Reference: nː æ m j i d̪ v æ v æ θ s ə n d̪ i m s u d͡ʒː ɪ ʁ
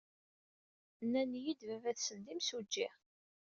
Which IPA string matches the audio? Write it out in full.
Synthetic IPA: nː æ n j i d̪ v æ v æ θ s ə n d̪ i m s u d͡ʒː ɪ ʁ